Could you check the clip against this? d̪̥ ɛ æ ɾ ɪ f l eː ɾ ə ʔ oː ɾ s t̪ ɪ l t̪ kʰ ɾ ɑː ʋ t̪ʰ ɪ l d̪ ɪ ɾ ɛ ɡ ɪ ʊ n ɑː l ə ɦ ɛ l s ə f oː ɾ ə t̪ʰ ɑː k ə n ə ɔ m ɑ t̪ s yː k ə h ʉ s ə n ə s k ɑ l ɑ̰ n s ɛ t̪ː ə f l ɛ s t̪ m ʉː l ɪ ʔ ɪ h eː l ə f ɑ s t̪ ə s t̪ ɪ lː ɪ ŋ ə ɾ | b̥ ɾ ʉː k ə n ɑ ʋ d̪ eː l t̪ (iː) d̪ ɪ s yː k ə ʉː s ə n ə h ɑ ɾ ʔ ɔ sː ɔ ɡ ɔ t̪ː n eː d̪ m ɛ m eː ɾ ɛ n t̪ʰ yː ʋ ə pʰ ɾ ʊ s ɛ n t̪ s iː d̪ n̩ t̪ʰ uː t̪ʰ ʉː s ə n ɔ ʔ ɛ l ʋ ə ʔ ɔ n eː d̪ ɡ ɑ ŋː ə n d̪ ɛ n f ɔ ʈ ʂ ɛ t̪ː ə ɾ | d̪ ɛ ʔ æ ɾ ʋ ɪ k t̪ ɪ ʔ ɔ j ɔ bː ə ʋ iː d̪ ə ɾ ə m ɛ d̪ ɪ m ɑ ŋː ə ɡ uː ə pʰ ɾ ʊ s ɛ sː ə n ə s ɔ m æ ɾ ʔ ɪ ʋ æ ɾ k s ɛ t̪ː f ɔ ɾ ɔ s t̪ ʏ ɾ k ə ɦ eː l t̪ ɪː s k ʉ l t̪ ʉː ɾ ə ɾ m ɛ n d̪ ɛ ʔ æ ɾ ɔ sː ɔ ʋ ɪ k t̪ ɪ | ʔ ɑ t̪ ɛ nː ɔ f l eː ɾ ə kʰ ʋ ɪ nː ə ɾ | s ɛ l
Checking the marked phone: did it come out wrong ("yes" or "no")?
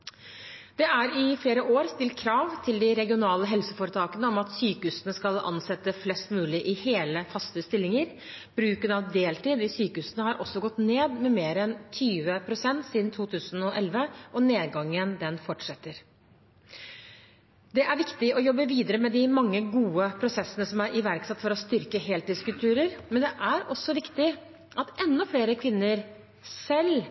no